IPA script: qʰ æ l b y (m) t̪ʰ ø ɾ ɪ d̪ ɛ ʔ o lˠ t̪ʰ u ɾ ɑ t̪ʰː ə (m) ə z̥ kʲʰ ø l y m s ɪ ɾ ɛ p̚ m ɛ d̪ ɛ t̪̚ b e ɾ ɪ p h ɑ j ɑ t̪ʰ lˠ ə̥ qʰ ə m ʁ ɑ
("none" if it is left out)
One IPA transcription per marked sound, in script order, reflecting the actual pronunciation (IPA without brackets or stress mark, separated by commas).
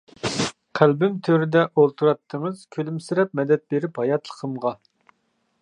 m, ŋ